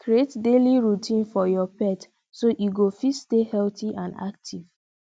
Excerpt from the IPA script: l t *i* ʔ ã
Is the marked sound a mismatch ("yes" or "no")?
no